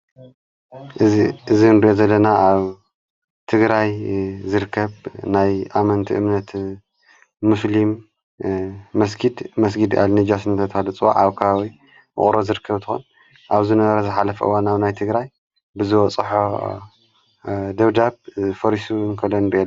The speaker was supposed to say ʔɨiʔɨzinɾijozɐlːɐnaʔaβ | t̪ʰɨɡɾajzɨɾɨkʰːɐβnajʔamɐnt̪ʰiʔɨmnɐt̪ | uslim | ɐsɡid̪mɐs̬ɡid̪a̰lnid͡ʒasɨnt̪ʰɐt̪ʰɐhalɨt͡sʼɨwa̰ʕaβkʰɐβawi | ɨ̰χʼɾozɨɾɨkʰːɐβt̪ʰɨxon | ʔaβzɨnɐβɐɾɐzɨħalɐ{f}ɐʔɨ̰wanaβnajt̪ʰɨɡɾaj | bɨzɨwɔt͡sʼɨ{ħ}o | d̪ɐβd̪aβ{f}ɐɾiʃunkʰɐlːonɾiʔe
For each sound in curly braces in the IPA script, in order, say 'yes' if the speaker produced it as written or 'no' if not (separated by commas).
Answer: yes, yes, yes